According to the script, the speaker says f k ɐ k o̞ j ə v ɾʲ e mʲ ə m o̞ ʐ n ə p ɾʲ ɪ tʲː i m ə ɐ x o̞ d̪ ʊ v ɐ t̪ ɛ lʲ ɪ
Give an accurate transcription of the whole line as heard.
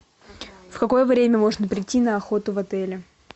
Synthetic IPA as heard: f k ɐ k o̞ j ə v ɾʲ e mʲ ə m o̞ ʐ n ə p ɾʲ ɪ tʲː i n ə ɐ x o̞ t̪ ʊ v ɐ t̪ ɛ lʲ ɪ